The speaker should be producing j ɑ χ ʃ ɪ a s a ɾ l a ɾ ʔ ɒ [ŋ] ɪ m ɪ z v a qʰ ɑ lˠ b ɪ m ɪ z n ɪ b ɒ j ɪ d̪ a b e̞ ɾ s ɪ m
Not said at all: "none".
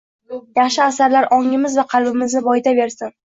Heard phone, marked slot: ŋ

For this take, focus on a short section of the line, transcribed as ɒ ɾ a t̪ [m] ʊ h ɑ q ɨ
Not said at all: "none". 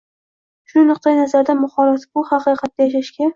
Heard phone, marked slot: b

